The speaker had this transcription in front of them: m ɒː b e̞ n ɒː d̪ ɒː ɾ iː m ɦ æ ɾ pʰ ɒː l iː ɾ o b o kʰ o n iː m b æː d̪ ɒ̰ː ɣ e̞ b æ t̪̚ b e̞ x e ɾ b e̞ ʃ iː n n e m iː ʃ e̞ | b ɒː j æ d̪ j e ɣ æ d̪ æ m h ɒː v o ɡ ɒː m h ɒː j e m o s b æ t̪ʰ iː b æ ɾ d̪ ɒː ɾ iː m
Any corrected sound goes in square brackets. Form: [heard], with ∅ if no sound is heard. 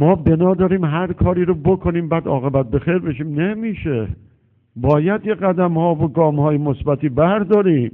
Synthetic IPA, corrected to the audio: m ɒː b e̞ n ɒː d̪ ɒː ɾ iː m ɦ æ ɾ [kʰ] ɒː [ɾ] iː ɾ o b o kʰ o n iː m b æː d̪ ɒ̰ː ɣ e̞ b æ t̪̚ b e̞ x e ɾ b e̞ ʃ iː [m] n e m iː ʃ e̞ | b ɒː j æ d̪ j e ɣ æ d̪ æ m h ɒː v o ɡ ɒː m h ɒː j e m o s b æ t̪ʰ iː b æ ɾ d̪ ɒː ɾ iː m